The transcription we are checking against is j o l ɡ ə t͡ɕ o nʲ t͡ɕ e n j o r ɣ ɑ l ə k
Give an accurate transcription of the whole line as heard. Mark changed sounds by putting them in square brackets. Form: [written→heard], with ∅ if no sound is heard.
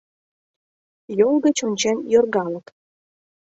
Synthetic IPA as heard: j o l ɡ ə t͡ɕ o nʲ t͡ɕ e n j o r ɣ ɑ l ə k